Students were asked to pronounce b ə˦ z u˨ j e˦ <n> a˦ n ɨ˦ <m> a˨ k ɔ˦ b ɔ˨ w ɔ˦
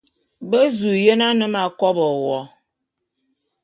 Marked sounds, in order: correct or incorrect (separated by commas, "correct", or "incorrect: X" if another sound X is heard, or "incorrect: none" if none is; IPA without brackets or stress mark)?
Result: correct, correct